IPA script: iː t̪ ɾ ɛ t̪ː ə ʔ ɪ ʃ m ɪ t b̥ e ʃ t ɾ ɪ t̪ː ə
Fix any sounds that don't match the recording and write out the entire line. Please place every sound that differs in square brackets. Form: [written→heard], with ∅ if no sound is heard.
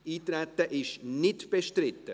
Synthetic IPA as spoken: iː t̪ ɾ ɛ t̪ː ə ʔ ɪ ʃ [m→n] ɪ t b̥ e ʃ t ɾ ɪ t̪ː ə